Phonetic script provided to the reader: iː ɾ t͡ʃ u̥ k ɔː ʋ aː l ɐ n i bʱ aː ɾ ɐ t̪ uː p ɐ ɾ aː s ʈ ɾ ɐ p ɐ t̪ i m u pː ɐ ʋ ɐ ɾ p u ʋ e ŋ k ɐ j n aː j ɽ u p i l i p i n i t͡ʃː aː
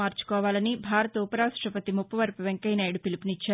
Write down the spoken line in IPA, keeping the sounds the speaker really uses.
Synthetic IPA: aː ɾ t͡ʃ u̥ k ɔː ʋ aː l ɐ n i bʱ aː ɾ ɐ t̪ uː p ɐ ɾ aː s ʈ ɾ ɐ p ɐ t̪ i m u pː ɐ ʋ ɐ ɾ p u ʋ e ŋ k ɐ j n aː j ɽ u p i l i p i n i t͡ʃː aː

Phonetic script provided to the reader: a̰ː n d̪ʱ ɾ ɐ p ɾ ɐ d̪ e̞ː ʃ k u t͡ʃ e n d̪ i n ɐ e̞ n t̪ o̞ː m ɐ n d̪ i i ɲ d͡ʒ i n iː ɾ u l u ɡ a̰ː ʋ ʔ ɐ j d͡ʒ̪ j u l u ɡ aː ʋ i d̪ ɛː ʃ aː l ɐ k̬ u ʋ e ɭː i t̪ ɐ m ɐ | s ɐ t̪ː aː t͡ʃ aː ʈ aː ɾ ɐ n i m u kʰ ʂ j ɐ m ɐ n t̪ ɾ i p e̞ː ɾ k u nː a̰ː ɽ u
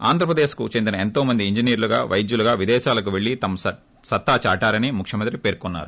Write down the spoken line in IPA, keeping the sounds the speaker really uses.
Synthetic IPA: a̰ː n d̪ʱ ɾ ɐ p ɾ ɐ d̪ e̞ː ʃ k u t͡ʃ e n d̪ i n ɐ e̞ n t̪ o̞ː m ɐ n d̪ i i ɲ d͡ʒ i n iː ɾ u l u ɡ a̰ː ʋ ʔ ɐ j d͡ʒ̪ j u l u ɡ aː ʋ i d̪ ɛː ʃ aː l ɐ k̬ u ʋ e ɭː i t̪ ɐ m ɐ | s ɐ t̪ː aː t͡ʃ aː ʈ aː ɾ ɐ n i m u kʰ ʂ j ɐ m ɐ n t̪ ɾ i p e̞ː ɾ k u nː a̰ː ɾ u

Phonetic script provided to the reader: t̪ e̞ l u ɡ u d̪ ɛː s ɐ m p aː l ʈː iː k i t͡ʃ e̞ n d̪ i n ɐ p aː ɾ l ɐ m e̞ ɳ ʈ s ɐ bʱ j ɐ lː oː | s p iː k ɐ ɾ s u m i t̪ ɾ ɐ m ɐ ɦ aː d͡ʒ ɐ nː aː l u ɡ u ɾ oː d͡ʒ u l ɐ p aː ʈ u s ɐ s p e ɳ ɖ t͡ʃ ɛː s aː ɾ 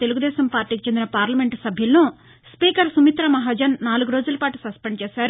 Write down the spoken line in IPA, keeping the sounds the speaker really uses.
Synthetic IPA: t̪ e̞ l u ɡ u d̪ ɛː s ɐ m p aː ɾ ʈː iː k i t͡ʃ e̞ n d̪ i n ɐ p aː ɾ l ɐ m e̞ ɳ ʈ s ɐ bʱ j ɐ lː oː | s p iː k ɐ ɾ s u m i t̪ ɾ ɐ m ɐ ɦ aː d͡ʒ ɐ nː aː l u ɡ u ɾ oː d͡ʒ u l ɐ p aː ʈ u s ɐ s p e ɳ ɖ t͡ʃ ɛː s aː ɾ

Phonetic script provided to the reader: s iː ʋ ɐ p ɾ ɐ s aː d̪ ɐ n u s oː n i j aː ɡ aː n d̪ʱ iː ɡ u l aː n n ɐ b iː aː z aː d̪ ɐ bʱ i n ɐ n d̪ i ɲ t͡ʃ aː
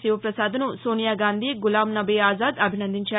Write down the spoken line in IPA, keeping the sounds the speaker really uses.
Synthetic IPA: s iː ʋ ɐ p ɾ ɐ s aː d̪ ɐ n u s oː n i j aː ɡ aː n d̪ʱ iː ɡ u l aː m n ɐ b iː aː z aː d̪ ɐ bʱ i n ɐ n d̪ i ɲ t͡ʃ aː

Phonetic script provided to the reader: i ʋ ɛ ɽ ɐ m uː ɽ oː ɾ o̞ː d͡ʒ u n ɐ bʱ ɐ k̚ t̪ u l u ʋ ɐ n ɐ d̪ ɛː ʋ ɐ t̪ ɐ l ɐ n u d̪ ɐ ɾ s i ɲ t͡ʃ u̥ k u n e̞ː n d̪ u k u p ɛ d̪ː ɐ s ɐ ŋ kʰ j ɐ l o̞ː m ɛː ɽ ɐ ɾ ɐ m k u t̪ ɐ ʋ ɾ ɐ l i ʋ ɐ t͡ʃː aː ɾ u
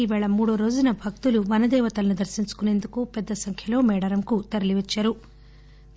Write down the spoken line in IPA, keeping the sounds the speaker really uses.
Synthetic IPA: i ʋ ɛ ɭ ɐ m uː ɽ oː ɾ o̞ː d͡ʒ u n ɐ bʱ ɐ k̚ t̪ u l u ʋ ɐ n ɐ d̪ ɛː ʋ ɐ t̪ ɐ l ɐ n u d̪ ɐ ɾ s i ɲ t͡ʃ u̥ k u n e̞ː n d̪ u k u p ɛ d̪ː ɐ s ɐ ŋ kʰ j ɐ l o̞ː m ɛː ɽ ɐ ɾ ɐ m k u t̪ ɐ ɾ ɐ l i ʋ ɐ t͡ʃː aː ɾ u

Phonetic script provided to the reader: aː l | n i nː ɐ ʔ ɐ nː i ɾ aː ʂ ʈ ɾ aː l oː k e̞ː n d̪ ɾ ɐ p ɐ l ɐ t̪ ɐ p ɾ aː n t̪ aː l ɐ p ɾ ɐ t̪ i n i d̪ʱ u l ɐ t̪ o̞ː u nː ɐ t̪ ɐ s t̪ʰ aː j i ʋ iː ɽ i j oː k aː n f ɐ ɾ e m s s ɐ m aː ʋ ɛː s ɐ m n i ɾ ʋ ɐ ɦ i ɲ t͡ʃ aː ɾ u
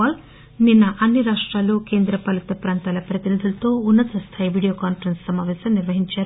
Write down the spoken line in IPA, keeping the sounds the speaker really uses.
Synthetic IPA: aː l | n i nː ɐ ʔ ɐ nː i ɾ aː ʂ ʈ ɾ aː l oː k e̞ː n d̪ ɾ ɐ p ɐ l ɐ t̪ ɐ p ɾ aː n t̪ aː l ɐ p ɾ ɐ t̪ i n i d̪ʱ u l ɐ t̪ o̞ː u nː ɐ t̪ ɐ s t̪ʰ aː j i ʋ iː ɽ i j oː k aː n f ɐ ɾ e n s s ɐ m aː ʋ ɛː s ɐ m n i ɾ ʋ ɐ ɦ i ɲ t͡ʃ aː ɾ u

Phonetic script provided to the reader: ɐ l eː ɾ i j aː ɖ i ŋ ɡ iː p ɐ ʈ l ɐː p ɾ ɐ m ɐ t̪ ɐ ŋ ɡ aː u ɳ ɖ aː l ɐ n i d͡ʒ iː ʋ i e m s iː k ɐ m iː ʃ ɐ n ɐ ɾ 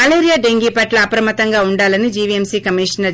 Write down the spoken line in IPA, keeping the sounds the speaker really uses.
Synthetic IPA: ɐ l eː ɾ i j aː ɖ e ŋ ɡ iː p ɐ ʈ l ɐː p ɾ ɐ m ɐ t̪ ɐ ŋ ɡ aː u ɳ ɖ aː l ɐ n i d͡ʒ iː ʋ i e m s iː k ɐ m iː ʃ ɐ n ɐ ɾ

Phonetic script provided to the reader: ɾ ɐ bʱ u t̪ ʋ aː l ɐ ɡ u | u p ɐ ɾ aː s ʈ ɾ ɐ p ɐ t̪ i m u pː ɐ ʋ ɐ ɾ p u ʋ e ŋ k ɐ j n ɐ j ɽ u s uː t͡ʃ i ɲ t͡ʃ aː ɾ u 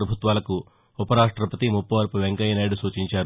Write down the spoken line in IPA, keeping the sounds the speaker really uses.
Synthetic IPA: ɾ ɐ bʱ u t̪ ʋ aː l ɐ k u | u p ɐ ɾ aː ʂ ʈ ɾ ɐ p ɐ t̪ i m u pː ɐ ʋ ɐ ɾ p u ʋ e ŋ k ɐ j n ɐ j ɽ u s uː t͡ʃ i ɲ t͡ʃ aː ɾ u

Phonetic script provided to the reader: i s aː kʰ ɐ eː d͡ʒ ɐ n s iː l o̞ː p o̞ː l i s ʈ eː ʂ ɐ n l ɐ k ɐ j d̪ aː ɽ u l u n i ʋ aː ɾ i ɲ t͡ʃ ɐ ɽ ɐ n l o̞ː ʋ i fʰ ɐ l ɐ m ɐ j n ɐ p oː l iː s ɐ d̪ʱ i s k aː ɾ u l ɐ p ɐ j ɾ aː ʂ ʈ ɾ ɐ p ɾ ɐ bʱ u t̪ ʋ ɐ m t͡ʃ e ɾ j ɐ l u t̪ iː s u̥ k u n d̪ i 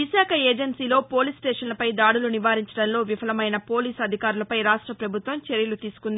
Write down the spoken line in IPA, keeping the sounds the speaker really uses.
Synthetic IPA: i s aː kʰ ɐ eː d͡ʒ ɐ n s iː l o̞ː p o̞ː l i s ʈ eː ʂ ɐ n l ɐ p ɐ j d̪ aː ɽ u l u n i ʋ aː ɾ i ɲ t͡ʃ ɐ ɽ ɐ n l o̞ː ʋ i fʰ ɐ l ɐ m ɐ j n ɐ p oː l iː s ɐ d̪ʱ i k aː ɾ u l ɐ p ɐ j ɾ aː ʂ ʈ ɾ ɐ p ɾ ɐ bʱ u t̪ ʋ ɐ m t͡ʃ e ɾ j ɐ l u t̪ iː s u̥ k u n d̪ i

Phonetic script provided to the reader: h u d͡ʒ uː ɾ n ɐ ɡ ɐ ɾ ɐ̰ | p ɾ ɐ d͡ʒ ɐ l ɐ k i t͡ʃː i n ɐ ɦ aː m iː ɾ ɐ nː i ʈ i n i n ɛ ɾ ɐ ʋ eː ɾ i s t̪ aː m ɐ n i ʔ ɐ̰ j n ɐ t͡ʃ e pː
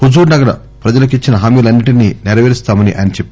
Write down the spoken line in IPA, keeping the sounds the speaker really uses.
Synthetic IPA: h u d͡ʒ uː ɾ n ɐ ɡ ɐ ɾ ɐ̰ | p ɾ ɐ d͡ʒ ɐ l ɐ k i t͡ʃː i n ɐ ɦ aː m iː l ɐ nː i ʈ i n i n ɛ ɾ ɐ ʋ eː ɾ i s t̪ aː m ɐ n i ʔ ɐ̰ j n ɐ t͡ʃ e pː

